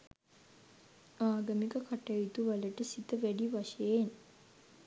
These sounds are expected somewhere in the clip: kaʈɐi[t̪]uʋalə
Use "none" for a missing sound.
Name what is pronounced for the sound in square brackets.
t̪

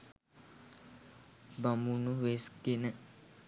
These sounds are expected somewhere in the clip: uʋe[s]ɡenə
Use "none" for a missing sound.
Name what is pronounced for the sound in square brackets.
s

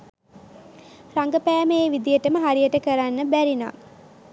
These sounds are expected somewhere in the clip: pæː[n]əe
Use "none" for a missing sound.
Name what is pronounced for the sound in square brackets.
m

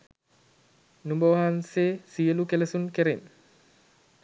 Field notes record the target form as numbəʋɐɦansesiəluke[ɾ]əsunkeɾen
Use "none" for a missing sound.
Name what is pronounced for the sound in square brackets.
l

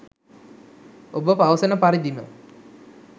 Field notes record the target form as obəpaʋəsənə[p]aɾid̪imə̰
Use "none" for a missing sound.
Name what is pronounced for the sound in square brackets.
p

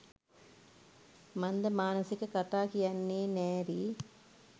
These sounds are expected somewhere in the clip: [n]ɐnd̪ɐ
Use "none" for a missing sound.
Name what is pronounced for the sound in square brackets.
m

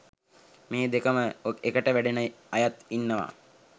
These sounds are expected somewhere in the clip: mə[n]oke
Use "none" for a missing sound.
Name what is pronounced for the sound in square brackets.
none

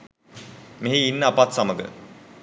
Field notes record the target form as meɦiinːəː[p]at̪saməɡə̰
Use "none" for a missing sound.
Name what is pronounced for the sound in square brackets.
p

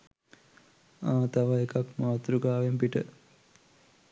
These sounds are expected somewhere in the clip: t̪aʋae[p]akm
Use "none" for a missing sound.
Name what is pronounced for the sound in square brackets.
k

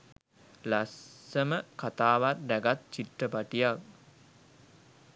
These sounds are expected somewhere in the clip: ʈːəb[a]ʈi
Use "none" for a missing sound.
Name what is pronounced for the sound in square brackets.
a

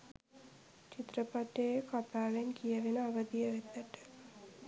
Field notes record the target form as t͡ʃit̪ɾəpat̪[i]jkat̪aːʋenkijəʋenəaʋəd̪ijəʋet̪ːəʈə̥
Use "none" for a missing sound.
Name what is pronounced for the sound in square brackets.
e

